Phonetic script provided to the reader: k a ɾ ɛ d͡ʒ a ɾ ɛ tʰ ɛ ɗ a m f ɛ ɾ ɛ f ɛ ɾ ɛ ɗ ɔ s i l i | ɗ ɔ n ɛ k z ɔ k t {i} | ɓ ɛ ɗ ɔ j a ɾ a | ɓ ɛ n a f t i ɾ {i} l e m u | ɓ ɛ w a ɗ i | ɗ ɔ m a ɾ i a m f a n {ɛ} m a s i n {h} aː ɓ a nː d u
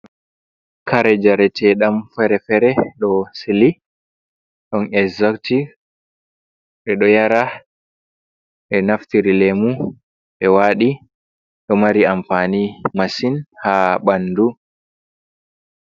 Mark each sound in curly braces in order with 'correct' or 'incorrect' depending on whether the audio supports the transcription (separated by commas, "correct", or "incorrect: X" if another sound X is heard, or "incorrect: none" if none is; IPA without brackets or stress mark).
correct, correct, incorrect: i, correct